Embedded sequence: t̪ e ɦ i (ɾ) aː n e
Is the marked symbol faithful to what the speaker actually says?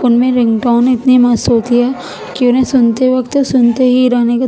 yes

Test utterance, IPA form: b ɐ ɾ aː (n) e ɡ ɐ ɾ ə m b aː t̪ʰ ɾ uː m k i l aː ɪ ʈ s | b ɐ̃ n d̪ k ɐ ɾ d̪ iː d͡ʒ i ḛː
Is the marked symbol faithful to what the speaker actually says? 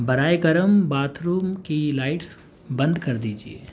no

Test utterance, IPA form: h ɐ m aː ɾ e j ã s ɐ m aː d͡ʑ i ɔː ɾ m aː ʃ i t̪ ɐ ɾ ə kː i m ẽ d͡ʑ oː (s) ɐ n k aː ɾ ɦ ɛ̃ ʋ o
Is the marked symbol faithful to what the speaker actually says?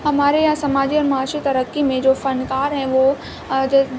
no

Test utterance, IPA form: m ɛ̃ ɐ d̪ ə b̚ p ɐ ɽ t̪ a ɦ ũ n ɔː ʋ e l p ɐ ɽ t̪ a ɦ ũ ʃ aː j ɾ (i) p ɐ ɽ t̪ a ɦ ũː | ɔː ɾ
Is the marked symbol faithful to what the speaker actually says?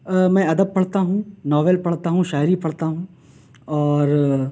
yes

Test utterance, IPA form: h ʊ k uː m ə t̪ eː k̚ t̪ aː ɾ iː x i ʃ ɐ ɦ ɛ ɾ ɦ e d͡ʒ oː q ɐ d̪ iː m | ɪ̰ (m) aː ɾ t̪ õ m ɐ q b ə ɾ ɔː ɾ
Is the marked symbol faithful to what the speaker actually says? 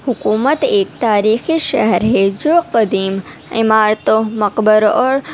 yes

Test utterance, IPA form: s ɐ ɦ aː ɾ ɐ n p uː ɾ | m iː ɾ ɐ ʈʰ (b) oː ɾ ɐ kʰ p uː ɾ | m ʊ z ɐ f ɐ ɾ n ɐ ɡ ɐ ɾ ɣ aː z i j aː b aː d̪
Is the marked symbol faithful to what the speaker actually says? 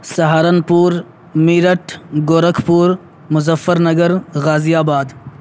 no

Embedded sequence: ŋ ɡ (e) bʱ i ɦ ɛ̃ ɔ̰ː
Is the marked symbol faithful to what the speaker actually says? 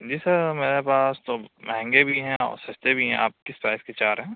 yes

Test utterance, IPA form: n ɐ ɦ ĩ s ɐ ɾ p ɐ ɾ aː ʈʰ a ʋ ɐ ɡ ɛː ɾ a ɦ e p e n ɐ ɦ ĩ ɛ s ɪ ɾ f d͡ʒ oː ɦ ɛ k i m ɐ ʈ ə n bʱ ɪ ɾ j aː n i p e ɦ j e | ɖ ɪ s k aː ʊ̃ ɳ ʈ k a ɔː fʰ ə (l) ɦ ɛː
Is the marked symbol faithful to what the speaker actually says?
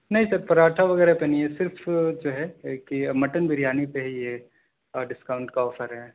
no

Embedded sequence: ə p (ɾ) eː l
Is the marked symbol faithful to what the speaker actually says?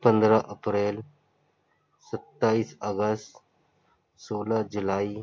yes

